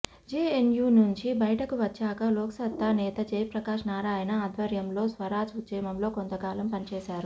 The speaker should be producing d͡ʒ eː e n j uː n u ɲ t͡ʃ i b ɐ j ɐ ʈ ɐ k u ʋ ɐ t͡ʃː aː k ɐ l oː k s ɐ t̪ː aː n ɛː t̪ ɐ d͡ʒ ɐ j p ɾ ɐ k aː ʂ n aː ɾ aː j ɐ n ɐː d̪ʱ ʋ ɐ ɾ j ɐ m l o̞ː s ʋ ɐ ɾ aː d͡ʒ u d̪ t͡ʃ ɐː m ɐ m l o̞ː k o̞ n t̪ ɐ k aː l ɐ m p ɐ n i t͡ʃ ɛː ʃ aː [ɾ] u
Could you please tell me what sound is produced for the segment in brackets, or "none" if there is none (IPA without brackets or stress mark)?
ɾ